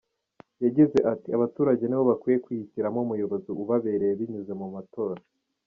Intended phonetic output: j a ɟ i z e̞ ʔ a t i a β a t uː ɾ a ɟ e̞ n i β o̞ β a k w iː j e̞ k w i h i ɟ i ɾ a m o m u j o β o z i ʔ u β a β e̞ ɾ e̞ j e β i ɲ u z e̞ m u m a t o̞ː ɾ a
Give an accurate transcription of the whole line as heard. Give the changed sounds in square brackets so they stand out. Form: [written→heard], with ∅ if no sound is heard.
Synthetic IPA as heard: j a ɟ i z e̞ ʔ a t i a β a t uː ɾ a ɟ e̞ n i β o̞ β a k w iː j e̞ k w i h i [ɟ→c] i ɾ a m o m u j o β o z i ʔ u β a β e̞ ɾ e̞ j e β i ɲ u z e̞ m u m a t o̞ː ɾ a